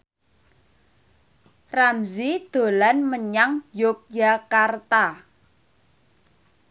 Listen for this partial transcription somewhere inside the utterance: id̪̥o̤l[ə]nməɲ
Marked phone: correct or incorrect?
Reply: incorrect